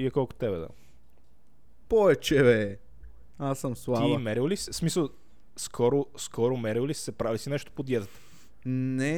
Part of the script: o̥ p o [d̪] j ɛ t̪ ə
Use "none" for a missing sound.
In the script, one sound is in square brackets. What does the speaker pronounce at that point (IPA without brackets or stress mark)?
d̪